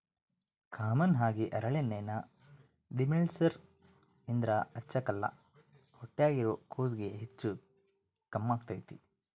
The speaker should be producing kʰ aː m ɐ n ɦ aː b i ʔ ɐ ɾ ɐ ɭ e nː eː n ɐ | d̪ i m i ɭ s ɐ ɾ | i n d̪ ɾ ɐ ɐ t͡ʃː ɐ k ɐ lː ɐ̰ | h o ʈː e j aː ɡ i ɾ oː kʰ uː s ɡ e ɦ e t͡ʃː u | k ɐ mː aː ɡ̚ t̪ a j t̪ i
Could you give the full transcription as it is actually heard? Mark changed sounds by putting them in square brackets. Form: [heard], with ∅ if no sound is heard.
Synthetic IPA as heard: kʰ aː m ɐ n ɦ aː [ɡ] i ʔ ɐ ɾ ɐ ɭ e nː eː n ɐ | d̪ i m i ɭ s ɐ ɾ | i n d̪ ɾ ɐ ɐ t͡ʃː ɐ k ɐ lː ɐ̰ | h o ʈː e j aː ɡ i ɾ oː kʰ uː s ɡ e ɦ e t͡ʃː u | k ɐ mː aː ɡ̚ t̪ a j t̪ i